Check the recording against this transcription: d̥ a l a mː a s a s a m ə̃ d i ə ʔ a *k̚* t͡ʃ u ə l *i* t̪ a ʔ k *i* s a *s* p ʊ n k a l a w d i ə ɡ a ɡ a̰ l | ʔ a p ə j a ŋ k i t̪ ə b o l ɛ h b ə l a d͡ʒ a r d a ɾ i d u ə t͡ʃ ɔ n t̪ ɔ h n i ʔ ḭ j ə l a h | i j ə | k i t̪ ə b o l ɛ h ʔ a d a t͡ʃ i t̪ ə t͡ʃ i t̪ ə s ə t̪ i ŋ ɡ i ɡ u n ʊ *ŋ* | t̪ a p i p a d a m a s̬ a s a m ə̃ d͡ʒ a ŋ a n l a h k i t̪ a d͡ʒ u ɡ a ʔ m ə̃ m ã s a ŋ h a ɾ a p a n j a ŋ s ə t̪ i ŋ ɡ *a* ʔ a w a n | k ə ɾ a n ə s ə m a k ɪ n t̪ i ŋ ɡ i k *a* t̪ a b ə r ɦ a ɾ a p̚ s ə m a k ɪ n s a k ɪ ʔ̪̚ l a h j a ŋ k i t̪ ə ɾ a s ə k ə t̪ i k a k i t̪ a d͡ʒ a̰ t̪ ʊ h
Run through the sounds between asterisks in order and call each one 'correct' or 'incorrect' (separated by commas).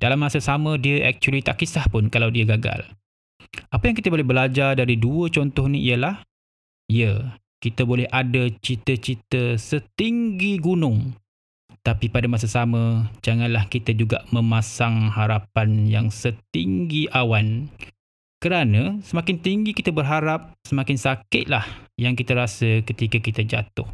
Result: correct, correct, correct, incorrect, correct, incorrect, incorrect